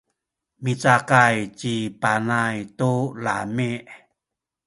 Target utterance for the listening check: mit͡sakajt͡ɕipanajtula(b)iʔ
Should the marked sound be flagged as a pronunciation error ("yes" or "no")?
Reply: yes